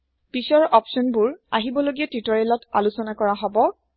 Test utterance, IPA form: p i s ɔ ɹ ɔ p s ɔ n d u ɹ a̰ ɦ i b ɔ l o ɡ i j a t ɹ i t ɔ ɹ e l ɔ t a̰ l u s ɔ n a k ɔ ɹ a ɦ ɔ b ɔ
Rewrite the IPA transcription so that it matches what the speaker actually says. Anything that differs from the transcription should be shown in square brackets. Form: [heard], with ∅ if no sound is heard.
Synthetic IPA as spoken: p i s ɔ ɹ ɔ p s ɔ n [b] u ɹ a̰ ɦ i b ɔ l o ɡ i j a t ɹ i t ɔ ɹ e l ɔ t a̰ l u s ɔ n a k ɔ ɹ a ɦ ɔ b ɔ

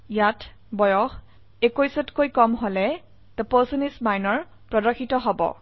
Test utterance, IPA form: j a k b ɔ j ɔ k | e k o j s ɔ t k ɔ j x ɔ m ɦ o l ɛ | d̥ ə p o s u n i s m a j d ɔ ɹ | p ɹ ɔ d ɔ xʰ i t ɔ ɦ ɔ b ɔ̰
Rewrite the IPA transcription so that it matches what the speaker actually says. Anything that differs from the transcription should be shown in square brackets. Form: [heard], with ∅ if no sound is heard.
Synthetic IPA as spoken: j a [t] b ɔ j ɔ [x] | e k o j s ɔ t k [o] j [k] ɔ m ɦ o l ɛ | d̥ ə p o s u n i s m a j [n] ɔ ɹ | p ɹ ɔ d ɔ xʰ i t ɔ ɦ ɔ b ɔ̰

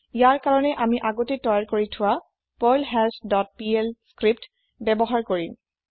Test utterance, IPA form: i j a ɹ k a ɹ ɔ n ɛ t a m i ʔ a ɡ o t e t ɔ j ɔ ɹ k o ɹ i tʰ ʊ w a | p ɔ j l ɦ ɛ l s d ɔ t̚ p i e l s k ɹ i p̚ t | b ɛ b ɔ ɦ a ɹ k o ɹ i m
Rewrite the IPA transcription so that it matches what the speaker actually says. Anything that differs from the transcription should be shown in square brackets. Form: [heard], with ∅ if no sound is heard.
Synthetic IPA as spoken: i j a ɹ k a ɹ ɔ n ɛ [ʔ] a m i ʔ a ɡ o t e t ɔ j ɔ ɹ k o ɹ i tʰ ʊ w a | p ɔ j l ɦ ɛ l s d ɔ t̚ p i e l s k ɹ i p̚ t | b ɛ b ɔ ɦ a ɹ k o ɹ i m

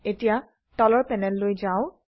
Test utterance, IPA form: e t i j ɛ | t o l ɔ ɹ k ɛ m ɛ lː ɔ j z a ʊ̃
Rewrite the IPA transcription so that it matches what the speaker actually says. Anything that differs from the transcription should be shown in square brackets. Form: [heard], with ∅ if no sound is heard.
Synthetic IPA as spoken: e t i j [a] | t [ɔ] l ɔ ɹ [p] ɛ [n] ɛ lː [o] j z a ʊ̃

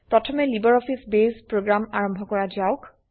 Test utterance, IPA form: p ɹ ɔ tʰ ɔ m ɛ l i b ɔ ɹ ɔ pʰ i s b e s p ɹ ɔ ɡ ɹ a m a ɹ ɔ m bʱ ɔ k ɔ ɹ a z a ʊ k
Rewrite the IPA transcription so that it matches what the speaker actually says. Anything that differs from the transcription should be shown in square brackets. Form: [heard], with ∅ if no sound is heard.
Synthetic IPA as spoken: p ɹ ɔ tʰ ɔ m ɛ l i b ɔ ɹ ɔ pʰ i s b e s p ɹ [o] ɡ ɹ a m a ɹ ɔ m bʱ ɔ k ɔ ɹ a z a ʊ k

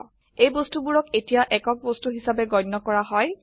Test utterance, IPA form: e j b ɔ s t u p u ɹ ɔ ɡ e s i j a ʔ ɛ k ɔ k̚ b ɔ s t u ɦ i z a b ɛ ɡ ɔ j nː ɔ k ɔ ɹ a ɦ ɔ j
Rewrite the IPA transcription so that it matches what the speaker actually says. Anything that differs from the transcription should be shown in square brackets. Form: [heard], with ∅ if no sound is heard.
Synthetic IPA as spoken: e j b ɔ s t u [b] u ɹ ɔ [k] e [t] i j a ʔ ɛ k ɔ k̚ b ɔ s t u ɦ i [s] a b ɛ ɡ ɔ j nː ɔ k ɔ ɹ a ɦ ɔ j

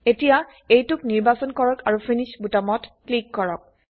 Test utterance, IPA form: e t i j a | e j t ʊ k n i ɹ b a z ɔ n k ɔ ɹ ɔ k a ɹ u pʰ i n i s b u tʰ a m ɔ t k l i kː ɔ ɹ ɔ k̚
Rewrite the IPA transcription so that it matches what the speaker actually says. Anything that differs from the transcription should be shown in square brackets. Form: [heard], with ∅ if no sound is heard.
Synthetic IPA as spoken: e t i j a | e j t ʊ k n i ɹ b a [s] ɔ n k ɔ ɹ ɔ k a ɹ u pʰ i n i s b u [t] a m ɔ t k l i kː ɔ ɹ ɔ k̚

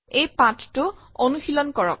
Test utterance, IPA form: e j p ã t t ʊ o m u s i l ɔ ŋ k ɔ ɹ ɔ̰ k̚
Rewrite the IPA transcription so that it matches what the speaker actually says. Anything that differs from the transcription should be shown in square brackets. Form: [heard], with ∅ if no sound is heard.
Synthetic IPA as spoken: e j p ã t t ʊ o [n] u [x] i l ɔ [n] k ɔ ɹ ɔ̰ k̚

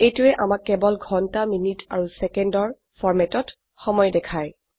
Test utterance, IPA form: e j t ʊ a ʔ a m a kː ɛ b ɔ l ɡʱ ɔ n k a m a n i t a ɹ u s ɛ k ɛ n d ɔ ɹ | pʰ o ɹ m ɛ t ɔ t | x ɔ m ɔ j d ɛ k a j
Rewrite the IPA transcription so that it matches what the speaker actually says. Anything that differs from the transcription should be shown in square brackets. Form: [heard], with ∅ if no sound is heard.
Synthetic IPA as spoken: e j t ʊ [ɛ] ʔ a m a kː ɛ b ɔ l ɡʱ ɔ n [t] a m [i] n i t a ɹ u s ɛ k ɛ n d ɔ ɹ | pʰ [ɔ] ɹ m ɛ t ɔ t | x ɔ m ɔ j d ɛ [kʰ] a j

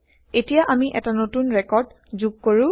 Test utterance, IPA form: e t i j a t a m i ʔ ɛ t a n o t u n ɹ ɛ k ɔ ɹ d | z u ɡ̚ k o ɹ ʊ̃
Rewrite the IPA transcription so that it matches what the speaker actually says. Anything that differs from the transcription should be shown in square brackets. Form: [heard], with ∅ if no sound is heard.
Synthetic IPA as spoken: e t i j a [ʔ] a m i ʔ ɛ t a n o t u n ɹ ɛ k ɔ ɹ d | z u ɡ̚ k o ɹ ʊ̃

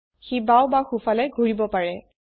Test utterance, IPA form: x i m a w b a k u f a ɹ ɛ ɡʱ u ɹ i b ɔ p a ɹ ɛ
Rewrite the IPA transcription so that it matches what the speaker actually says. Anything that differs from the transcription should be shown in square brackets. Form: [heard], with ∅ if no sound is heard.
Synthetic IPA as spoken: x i [b] a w b a [x] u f a [l] ɛ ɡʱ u ɹ i b ɔ p a ɹ ɛ

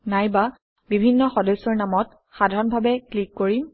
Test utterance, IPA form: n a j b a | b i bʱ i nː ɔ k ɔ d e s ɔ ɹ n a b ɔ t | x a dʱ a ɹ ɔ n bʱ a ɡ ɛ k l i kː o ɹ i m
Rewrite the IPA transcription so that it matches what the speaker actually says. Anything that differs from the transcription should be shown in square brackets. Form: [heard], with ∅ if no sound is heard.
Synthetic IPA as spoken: n a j b a | b i bʱ i nː ɔ [x] ɔ d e s ɔ ɹ n a [m] ɔ t | x a dʱ a ɹ ɔ n bʱ a [b] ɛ k l i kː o ɹ i m

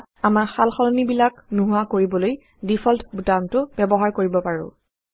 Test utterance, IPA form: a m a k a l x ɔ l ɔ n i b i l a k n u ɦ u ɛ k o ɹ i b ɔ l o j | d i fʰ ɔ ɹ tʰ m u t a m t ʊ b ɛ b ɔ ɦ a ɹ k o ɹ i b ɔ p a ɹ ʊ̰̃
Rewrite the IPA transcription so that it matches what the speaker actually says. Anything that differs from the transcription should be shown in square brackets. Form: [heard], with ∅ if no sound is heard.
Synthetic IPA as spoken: a m a [x] a l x ɔ l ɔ n i b i l a k n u ɦ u [a] k o ɹ i b ɔ l o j | d i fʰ ɔ [l] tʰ [b] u t a m t ʊ b ɛ b ɔ ɦ a ɹ k o ɹ i b ɔ p a ɹ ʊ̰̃

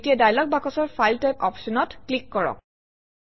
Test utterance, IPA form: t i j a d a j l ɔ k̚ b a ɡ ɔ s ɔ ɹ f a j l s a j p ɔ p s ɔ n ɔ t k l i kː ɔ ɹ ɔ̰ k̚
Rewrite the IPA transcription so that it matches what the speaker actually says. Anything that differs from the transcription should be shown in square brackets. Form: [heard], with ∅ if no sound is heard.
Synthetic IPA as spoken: t i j a d a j l ɔ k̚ b a [k] ɔ s ɔ ɹ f a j l [t] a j p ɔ p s ɔ n ɔ t k l i kː ɔ ɹ ɔ̰ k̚

